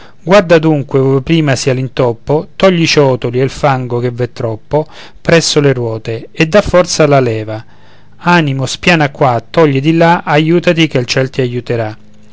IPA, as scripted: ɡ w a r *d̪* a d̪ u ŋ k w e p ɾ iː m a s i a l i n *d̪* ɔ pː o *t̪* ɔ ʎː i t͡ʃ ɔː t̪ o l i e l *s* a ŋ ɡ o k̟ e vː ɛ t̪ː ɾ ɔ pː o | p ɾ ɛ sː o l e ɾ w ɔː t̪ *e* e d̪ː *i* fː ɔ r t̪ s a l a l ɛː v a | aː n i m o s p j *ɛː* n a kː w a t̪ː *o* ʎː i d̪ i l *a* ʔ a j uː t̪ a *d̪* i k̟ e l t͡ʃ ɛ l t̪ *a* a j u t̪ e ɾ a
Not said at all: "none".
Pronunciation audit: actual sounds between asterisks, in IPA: d̪, t̪, t̪, f, e, a, aː, ɔ, a, t̪, i

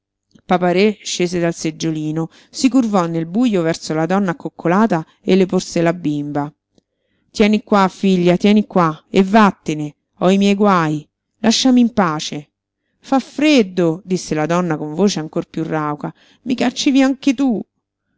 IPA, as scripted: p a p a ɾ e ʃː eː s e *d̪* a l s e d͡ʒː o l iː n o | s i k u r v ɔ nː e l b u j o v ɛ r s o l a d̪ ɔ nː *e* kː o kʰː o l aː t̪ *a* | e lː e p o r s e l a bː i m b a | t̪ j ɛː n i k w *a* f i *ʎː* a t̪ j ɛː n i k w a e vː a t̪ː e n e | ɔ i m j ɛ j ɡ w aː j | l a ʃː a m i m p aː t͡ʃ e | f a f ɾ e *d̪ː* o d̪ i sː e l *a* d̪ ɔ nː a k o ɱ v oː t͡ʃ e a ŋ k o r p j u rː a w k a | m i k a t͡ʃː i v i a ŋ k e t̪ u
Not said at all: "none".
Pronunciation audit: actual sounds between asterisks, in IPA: d̪, a, a, a, ʎː, d̪ː, a

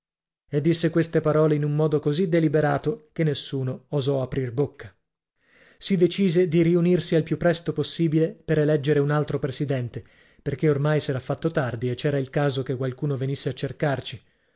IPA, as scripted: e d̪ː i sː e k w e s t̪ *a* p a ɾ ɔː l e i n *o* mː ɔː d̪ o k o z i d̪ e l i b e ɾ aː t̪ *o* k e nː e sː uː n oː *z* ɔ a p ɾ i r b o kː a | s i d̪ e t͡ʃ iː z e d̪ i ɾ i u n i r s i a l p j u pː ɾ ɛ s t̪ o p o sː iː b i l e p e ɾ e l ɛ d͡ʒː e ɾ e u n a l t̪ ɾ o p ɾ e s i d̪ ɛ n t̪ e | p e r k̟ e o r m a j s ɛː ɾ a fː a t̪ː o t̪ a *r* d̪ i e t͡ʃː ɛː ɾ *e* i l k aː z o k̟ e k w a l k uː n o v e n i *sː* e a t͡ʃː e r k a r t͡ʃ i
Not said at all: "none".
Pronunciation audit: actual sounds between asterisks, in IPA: e, u, o, z, r, a, sː

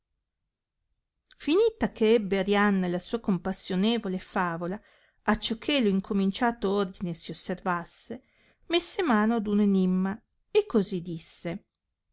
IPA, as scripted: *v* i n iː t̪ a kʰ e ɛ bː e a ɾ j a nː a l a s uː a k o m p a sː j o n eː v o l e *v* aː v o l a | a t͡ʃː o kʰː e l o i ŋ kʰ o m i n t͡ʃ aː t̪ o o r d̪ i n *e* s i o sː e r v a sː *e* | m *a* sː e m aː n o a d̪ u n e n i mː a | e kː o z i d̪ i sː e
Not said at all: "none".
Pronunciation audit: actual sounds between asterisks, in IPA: f, f, e, e, e

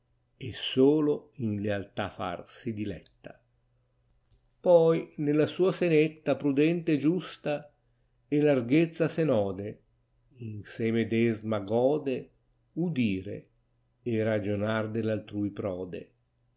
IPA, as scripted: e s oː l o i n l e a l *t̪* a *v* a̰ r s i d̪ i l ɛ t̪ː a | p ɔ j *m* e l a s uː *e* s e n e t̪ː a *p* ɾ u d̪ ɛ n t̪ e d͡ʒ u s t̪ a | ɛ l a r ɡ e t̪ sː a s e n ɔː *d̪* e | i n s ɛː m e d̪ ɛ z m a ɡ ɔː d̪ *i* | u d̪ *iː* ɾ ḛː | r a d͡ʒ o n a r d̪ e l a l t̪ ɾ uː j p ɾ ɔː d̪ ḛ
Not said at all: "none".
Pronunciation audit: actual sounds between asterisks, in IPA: t̪, f, n, a, p, d̪, e, iː

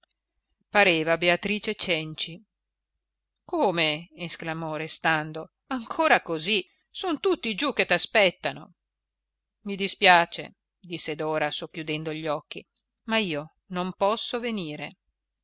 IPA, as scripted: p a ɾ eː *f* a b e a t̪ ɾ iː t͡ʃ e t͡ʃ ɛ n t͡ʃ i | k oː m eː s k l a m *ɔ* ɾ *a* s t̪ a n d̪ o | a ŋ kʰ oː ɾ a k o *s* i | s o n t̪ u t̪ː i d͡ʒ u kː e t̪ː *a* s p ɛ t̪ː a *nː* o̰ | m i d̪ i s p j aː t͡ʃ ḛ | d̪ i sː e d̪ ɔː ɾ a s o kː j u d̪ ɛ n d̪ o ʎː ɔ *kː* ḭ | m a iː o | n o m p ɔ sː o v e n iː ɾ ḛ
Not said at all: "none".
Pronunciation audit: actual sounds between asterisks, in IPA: v, ɔ, e, z, a, n, kː

